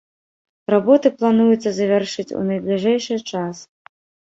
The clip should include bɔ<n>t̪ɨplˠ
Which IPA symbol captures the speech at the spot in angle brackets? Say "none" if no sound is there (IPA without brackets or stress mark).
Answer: none